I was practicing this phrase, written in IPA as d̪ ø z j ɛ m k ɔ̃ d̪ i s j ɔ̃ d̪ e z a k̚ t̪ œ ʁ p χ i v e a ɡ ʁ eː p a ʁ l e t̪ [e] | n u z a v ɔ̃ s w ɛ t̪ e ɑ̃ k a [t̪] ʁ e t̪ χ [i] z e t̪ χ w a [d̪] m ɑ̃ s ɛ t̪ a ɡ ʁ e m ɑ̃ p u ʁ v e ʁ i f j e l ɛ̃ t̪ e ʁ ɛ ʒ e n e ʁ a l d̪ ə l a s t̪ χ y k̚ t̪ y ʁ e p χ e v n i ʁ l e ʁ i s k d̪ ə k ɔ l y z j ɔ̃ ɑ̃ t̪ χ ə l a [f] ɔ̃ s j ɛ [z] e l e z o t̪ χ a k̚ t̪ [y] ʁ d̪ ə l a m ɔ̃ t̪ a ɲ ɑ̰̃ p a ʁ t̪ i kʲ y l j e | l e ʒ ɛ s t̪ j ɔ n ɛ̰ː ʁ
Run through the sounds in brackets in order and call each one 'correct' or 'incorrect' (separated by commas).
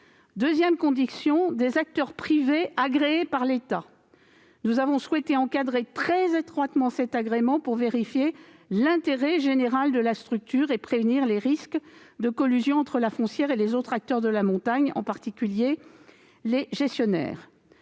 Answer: incorrect, incorrect, incorrect, incorrect, correct, incorrect, incorrect